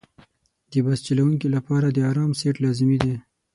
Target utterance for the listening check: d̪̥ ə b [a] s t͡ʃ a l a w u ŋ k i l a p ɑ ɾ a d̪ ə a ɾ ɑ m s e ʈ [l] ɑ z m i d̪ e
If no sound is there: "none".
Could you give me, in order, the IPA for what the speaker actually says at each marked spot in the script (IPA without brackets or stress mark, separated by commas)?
a, l